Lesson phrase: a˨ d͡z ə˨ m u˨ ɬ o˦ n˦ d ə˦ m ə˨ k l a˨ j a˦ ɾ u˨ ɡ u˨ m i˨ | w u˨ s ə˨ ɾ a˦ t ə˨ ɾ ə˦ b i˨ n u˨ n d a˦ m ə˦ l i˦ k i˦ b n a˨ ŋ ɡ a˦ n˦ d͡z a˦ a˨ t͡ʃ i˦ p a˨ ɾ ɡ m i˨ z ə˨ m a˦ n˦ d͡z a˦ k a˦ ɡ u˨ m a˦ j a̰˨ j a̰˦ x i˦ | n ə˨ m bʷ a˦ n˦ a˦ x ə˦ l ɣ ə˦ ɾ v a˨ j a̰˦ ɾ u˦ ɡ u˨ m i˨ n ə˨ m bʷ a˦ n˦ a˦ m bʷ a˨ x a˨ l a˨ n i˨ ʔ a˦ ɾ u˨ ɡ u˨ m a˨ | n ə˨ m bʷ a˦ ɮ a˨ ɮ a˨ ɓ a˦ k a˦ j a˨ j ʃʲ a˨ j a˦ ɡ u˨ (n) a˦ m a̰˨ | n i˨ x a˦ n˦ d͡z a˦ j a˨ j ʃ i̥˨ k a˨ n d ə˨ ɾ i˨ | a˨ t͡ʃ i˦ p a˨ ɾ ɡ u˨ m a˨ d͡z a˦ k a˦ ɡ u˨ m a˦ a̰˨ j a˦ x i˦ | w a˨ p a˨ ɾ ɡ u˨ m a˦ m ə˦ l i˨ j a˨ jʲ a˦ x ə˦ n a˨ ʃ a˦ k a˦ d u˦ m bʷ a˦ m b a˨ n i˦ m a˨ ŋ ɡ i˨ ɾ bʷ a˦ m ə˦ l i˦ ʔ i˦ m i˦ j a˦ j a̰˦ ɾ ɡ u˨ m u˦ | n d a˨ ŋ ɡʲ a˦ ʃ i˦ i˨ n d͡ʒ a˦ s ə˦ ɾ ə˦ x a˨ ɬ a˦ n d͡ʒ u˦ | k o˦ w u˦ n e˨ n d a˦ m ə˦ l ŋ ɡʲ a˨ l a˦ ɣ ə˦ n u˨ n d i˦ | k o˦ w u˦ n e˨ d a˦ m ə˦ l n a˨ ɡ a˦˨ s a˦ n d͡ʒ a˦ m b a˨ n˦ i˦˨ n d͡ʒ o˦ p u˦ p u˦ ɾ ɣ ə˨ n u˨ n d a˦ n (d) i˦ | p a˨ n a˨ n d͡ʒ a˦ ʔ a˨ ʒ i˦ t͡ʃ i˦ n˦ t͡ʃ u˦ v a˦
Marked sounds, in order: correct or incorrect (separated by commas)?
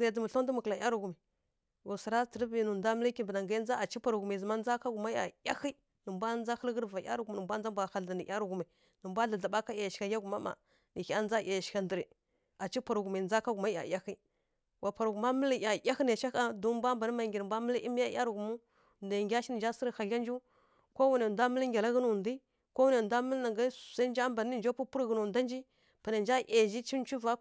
incorrect, incorrect